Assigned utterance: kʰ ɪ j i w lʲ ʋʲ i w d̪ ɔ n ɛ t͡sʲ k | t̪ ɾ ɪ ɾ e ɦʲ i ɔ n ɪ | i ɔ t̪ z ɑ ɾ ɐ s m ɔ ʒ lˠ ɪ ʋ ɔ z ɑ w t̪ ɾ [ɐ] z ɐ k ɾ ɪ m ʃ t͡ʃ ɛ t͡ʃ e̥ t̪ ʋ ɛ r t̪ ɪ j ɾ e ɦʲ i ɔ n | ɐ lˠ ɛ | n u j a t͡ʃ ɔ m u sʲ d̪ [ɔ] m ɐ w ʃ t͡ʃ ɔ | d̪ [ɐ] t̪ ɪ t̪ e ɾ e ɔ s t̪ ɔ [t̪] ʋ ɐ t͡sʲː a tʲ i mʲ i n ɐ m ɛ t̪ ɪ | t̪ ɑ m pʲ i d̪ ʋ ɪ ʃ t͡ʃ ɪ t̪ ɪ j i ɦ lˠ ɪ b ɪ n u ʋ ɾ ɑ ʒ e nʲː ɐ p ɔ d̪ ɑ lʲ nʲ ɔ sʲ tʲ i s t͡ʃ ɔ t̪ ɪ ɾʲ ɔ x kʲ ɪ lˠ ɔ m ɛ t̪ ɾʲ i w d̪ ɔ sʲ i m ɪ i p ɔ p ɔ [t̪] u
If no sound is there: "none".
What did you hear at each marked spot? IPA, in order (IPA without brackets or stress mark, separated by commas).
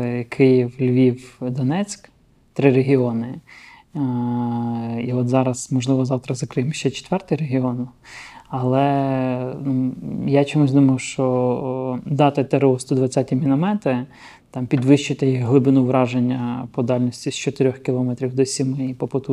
ɐ, u, ɑ, d̪, t̪